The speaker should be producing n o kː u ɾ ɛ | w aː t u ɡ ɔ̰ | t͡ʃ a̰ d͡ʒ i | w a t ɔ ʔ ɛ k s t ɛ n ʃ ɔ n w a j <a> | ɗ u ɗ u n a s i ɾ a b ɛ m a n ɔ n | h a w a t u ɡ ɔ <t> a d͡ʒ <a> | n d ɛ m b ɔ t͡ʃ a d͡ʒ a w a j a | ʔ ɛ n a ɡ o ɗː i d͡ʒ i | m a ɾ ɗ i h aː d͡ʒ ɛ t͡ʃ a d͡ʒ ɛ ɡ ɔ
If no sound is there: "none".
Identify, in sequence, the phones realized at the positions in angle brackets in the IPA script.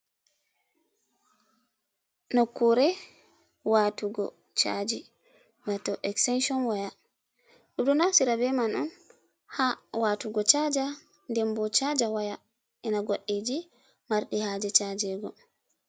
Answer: a, t͡ʃ, a

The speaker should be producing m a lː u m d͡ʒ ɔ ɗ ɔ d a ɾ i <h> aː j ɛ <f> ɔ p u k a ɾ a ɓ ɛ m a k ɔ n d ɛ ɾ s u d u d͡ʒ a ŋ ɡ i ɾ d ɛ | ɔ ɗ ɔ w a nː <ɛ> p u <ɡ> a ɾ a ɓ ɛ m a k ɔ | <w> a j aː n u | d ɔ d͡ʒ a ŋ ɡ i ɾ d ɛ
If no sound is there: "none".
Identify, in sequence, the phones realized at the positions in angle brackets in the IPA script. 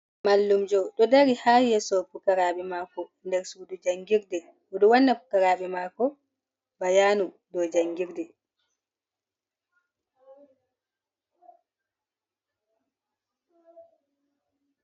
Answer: h, s, a, k, b

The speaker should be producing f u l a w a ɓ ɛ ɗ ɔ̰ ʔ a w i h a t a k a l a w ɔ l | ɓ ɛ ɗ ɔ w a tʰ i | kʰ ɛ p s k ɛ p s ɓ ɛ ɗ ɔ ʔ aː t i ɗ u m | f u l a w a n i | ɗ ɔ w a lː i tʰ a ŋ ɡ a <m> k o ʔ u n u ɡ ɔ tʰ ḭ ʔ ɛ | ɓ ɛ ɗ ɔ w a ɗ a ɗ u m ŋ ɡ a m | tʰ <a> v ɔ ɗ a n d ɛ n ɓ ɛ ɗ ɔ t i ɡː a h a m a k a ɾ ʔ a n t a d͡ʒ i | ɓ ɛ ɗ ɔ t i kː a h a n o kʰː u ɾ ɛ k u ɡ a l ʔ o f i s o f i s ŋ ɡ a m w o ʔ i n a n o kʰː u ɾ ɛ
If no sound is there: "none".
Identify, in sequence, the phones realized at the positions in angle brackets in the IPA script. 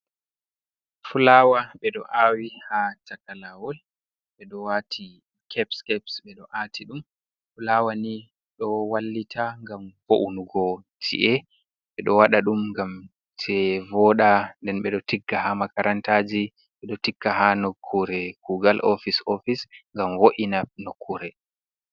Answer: m, ɛ

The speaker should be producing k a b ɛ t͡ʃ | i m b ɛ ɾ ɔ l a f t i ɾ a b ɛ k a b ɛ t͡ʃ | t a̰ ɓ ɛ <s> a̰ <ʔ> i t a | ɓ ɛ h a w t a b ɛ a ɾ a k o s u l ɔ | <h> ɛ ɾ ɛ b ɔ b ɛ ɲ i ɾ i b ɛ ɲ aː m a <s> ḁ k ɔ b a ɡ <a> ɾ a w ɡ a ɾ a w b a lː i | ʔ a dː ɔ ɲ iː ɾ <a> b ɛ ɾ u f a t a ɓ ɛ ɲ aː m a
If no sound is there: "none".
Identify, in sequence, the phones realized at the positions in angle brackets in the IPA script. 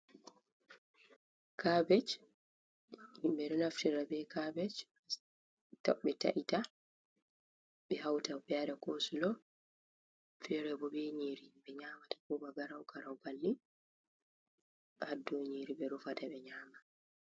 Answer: t, ʔ, f, t, a, i

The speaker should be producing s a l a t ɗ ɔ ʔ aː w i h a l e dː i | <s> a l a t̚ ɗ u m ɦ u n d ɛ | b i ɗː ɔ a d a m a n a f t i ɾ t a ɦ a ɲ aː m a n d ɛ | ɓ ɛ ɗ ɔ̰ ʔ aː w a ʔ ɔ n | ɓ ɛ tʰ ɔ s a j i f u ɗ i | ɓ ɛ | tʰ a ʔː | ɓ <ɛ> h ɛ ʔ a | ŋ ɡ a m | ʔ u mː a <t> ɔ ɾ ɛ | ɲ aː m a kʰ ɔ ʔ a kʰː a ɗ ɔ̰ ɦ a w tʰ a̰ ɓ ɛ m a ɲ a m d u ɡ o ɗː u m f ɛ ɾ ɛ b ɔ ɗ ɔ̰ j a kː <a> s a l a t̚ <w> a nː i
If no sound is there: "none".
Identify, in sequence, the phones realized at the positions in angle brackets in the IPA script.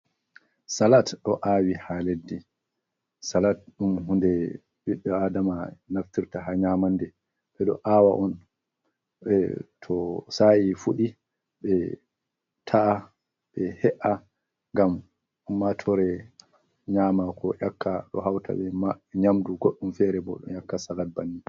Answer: s, ɛ, tʰ, a, b

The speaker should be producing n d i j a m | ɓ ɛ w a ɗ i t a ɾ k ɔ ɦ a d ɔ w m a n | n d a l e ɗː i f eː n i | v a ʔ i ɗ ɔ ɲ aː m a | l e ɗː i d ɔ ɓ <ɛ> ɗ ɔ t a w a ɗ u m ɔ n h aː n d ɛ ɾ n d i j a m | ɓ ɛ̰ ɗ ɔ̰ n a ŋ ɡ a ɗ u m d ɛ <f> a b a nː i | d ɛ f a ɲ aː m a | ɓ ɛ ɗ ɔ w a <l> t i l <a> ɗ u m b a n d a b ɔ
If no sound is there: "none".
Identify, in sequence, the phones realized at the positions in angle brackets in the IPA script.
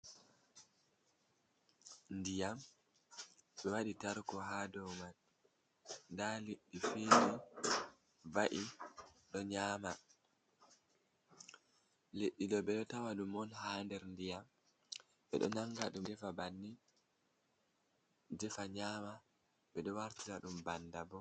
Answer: ɛ, f, ɾ, a

